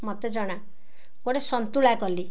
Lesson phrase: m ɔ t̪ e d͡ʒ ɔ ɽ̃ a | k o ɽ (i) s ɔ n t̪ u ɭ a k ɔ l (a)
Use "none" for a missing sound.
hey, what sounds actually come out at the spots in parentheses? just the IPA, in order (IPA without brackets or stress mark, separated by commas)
e, i